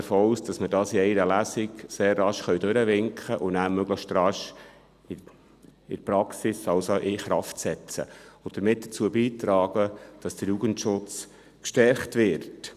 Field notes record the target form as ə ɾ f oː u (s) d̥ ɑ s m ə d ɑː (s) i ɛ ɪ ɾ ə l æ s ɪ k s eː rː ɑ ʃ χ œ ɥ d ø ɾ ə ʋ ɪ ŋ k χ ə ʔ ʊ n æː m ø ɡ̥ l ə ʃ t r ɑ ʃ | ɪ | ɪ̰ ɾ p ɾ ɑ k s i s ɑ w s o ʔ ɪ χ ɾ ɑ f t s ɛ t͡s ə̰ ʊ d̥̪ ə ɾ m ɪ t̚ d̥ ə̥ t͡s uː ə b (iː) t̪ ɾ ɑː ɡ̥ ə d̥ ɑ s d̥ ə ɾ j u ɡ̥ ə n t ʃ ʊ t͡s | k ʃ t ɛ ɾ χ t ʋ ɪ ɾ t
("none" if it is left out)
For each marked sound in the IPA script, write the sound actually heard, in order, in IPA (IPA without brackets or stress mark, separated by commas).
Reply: s, s, iː